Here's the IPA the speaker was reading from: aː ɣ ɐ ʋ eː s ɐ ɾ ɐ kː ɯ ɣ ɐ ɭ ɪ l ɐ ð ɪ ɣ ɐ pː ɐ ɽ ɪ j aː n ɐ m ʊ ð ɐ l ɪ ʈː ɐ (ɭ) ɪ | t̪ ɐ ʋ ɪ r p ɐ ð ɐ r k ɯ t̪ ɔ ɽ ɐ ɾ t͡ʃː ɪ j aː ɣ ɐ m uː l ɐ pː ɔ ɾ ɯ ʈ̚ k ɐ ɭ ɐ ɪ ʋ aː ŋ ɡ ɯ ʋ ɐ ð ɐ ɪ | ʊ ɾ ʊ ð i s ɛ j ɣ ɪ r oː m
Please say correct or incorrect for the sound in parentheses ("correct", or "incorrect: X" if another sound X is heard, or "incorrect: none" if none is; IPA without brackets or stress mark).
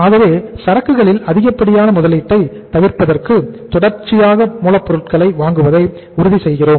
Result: incorrect: none